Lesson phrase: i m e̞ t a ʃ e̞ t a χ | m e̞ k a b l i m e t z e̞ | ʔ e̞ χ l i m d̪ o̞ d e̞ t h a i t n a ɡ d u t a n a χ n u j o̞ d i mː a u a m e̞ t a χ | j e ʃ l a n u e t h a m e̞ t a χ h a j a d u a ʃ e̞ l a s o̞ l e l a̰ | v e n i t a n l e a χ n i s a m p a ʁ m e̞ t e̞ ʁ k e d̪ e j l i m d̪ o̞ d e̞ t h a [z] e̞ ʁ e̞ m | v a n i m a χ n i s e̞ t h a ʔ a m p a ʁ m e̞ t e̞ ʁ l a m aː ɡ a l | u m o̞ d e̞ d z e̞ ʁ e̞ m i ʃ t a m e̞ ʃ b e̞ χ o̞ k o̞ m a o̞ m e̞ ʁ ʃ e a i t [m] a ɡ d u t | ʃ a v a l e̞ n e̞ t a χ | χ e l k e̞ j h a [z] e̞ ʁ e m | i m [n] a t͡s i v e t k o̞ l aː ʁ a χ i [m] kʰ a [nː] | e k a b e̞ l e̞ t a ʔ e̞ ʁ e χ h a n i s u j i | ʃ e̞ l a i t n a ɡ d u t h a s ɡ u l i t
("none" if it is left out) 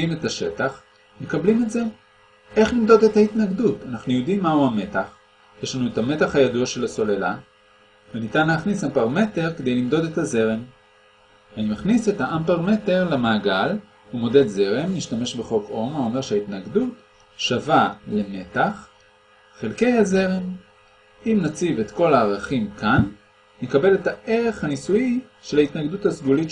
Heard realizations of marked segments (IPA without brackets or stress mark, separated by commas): z, n, z, n, m, nː